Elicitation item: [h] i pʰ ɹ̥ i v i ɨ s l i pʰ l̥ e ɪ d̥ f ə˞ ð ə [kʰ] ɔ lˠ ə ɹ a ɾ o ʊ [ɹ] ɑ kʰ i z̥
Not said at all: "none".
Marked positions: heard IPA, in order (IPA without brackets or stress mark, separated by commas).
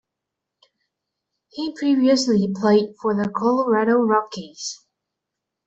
h, kʰ, ɹ